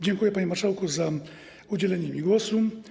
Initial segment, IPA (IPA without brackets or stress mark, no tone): d͡ʑ